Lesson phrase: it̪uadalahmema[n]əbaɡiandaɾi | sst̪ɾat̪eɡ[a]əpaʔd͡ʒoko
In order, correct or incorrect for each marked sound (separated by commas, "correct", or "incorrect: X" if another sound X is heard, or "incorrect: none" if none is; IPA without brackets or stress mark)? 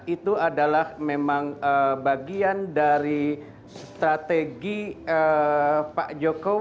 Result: incorrect: ŋ, incorrect: i